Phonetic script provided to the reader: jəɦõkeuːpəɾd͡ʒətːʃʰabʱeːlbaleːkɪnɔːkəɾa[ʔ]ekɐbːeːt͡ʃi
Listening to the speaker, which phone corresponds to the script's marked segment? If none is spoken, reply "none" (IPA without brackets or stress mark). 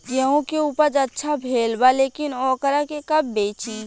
k